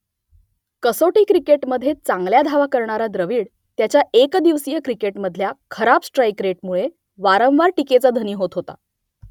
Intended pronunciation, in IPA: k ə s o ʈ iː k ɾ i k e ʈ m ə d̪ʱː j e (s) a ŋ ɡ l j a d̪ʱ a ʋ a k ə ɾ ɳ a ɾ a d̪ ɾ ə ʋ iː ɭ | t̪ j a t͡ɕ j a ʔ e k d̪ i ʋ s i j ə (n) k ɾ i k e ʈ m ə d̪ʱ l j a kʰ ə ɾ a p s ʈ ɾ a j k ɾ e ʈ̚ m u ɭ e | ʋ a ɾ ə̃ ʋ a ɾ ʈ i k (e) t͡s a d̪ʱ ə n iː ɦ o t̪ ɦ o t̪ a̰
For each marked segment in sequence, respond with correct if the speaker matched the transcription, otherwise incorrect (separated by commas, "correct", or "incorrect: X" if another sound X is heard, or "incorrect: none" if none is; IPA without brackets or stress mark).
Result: incorrect: t͡s, incorrect: none, correct